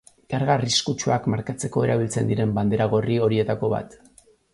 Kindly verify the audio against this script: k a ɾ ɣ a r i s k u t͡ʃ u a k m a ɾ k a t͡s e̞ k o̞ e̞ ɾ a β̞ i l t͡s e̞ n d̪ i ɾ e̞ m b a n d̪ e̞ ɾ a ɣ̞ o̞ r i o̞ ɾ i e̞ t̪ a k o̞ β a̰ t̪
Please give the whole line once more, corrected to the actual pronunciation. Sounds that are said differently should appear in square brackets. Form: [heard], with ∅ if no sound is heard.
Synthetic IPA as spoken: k a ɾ ɣ a r i s k u t͡ʃ u a k m a ɾ k a t͡s e̞ k o̞ e̞ ɾ a β̞ i l t͡s e̞ n d̪ i ɾ e̞ m b a n d̪ e̞ ɾ a ɣ̞ o̞ r i o̞ ɾ i e̞ t̪ a k o̞ β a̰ t̪